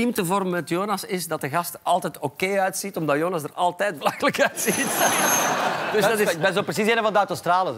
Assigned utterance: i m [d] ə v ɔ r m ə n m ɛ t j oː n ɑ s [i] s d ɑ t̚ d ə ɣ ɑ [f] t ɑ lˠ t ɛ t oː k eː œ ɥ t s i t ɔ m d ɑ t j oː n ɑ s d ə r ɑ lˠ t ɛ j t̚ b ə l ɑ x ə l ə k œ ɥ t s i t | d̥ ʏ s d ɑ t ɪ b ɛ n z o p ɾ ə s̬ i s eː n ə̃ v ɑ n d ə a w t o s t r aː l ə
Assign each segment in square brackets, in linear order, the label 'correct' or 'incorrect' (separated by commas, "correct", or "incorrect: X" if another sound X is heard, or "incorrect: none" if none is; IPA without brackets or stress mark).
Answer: incorrect: t, incorrect: ɪ, incorrect: s